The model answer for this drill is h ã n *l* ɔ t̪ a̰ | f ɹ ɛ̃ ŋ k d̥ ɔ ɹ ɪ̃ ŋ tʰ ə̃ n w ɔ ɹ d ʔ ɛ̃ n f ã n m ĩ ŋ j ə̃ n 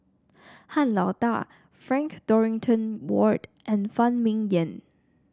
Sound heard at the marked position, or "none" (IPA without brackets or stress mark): l